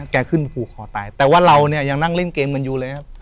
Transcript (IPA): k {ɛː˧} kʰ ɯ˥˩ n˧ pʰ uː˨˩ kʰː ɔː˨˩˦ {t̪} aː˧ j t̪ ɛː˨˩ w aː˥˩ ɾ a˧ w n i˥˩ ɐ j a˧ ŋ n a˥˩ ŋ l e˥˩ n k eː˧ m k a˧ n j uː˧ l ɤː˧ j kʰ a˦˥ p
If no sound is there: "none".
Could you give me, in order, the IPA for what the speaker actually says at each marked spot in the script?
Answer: ɛː˧, t̪

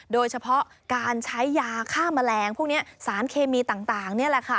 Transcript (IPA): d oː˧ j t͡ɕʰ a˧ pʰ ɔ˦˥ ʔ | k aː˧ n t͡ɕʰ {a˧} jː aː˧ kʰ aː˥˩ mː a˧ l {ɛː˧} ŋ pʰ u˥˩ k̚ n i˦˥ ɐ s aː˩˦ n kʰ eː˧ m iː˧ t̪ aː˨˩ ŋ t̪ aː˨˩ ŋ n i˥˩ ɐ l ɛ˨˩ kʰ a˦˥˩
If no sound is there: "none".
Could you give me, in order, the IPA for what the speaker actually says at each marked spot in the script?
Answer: a˦˥, ɛː˧

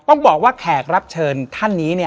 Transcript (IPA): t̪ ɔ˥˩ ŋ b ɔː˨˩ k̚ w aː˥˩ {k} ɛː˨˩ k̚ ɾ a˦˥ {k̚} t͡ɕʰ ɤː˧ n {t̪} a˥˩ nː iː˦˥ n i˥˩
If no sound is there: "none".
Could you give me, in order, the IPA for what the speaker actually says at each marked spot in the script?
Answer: kʰ, p̚, t̪ʰ

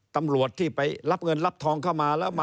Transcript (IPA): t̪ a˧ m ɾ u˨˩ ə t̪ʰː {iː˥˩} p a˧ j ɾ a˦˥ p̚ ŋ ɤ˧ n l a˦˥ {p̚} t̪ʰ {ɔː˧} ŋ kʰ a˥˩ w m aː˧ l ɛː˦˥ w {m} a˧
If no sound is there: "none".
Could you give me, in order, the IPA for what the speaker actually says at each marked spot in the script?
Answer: iː˥˩, p̚, ɔː˧, m

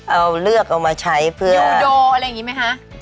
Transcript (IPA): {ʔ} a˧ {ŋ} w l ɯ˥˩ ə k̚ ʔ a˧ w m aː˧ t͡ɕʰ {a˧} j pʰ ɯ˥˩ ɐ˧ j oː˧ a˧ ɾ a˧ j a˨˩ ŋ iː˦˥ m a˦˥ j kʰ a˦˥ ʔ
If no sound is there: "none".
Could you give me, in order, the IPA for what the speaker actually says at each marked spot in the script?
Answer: ʔ, none, a˦˥

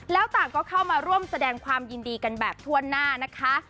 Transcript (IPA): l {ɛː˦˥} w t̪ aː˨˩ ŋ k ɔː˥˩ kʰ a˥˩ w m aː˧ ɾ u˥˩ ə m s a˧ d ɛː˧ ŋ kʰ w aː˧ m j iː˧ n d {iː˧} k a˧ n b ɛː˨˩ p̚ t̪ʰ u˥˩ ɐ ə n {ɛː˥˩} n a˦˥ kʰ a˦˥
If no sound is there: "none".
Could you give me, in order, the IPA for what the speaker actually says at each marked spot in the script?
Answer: ɛː˦˥, iː˧, aː˥˩

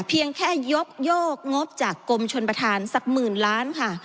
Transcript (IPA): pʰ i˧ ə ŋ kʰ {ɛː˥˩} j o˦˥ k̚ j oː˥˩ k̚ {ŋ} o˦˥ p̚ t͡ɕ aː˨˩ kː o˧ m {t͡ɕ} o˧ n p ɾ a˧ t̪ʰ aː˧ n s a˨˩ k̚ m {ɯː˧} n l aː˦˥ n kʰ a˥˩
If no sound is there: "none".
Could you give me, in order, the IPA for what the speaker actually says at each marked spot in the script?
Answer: ɛː˥˩, ŋ, t͡ɕʰ, ɯː˨˩

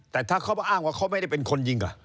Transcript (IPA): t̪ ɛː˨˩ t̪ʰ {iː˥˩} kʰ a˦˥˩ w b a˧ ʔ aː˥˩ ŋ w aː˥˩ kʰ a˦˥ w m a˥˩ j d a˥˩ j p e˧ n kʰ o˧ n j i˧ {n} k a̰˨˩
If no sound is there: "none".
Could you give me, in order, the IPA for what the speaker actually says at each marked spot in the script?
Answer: aː˥˩, ŋ

